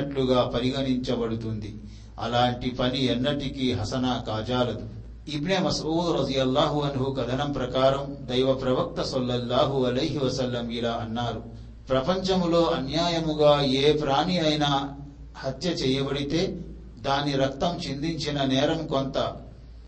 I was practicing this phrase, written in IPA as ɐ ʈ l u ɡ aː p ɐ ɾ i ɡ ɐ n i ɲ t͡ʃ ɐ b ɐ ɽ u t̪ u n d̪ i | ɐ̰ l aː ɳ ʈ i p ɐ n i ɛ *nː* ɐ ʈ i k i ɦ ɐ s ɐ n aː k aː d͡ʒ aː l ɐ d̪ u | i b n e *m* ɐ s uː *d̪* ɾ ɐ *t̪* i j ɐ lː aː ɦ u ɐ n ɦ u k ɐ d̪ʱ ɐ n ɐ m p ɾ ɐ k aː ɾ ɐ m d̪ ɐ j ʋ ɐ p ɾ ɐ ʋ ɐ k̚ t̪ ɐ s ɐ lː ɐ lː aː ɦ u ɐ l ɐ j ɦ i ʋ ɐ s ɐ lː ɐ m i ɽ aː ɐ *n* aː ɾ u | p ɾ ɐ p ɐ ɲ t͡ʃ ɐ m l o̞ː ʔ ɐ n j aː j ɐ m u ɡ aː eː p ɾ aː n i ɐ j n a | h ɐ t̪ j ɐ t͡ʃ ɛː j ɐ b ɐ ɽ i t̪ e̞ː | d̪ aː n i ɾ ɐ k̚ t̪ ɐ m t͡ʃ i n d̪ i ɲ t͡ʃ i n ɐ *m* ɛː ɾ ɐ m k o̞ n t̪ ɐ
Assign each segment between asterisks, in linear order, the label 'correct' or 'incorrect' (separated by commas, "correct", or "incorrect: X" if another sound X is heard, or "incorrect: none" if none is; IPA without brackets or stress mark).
correct, correct, correct, incorrect: d̪, incorrect: nː, incorrect: n